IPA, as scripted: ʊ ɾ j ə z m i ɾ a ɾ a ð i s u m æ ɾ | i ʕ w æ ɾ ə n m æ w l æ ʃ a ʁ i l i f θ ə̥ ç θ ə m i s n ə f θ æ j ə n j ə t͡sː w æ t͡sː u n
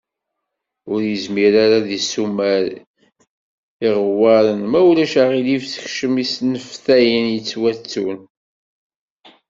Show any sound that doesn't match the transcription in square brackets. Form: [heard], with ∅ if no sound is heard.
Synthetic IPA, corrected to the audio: ʊ ɾ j ə z m i ɾ a ɾ a ð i s u m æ ɾ | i [ʁ] w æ ɾ ə n m æ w l æ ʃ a ʁ i l i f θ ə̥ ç [ʃ] ə m i s n ə f θ æ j ə n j ə t͡sː w æ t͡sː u n